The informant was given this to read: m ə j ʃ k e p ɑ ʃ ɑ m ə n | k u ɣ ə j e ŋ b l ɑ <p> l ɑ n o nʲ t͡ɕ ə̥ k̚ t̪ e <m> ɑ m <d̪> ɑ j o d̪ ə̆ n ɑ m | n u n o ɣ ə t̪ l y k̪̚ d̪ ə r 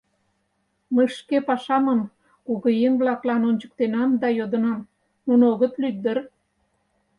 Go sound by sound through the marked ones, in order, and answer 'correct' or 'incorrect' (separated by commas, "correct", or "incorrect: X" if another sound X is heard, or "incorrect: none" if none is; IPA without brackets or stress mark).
incorrect: k, incorrect: n, correct